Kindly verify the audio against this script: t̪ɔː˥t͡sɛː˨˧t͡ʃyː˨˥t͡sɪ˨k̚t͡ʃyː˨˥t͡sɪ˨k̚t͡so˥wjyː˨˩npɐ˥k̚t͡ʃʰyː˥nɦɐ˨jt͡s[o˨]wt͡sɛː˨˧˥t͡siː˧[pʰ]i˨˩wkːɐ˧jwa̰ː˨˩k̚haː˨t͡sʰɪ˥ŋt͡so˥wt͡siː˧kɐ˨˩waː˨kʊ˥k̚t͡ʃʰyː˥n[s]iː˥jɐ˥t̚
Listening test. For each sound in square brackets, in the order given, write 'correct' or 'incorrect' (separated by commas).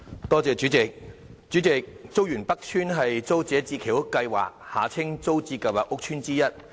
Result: incorrect, incorrect, incorrect